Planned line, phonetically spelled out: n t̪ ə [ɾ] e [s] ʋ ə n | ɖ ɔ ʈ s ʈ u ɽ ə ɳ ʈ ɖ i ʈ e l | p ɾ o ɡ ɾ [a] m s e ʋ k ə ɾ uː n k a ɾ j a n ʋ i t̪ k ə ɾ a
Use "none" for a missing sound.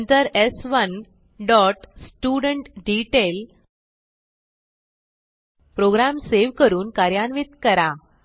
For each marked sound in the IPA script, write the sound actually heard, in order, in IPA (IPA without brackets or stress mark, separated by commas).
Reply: ɾ, s, a